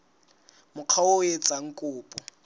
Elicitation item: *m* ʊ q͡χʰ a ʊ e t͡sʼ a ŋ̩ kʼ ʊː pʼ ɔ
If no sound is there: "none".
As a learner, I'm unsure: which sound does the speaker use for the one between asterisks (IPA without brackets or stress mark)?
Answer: m